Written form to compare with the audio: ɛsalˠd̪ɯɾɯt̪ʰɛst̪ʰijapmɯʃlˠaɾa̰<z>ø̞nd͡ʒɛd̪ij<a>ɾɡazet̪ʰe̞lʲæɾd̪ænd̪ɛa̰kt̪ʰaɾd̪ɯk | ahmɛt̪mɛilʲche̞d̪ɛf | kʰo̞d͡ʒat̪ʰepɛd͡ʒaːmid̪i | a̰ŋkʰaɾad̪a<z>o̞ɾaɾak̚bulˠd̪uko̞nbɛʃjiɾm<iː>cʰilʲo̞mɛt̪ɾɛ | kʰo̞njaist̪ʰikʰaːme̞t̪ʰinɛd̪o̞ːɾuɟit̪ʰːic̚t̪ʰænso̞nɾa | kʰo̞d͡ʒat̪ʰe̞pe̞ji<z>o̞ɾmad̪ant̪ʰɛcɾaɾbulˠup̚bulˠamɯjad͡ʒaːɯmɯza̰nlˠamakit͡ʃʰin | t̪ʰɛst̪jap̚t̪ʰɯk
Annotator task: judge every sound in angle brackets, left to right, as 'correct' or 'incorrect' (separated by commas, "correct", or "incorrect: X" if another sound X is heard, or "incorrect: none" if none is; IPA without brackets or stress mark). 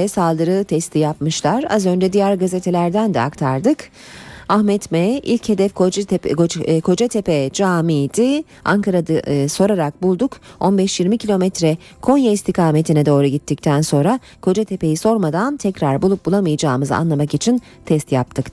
correct, incorrect: æ, incorrect: s, incorrect: i, incorrect: s